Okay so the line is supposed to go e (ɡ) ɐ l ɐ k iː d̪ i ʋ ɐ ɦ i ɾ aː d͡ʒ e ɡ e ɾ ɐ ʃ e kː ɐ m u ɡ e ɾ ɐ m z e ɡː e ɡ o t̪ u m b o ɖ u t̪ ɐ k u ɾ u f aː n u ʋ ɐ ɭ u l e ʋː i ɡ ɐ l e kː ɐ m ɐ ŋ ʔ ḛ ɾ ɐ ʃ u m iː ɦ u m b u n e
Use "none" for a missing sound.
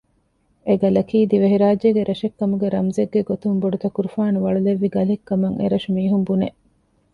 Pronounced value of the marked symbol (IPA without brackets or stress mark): ɡ